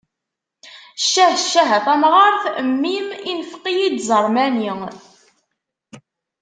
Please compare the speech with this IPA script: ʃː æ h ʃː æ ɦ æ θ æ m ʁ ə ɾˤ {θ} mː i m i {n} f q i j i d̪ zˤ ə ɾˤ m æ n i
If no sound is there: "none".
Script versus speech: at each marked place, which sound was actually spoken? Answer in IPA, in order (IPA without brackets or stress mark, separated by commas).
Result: θ, n